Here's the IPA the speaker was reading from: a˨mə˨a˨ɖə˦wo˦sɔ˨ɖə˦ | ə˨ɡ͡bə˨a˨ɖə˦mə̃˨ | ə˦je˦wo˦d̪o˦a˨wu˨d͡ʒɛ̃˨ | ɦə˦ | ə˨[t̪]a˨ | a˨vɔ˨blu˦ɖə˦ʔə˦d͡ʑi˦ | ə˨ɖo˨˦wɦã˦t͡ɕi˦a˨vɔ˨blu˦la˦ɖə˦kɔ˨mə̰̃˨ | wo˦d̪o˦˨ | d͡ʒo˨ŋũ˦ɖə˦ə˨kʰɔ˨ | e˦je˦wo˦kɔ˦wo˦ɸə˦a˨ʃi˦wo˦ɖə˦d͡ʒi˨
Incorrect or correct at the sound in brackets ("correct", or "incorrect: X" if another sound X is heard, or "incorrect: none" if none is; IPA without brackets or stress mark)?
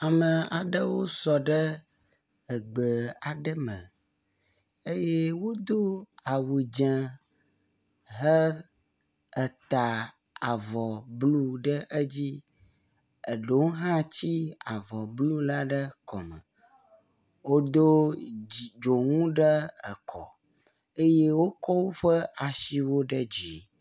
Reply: correct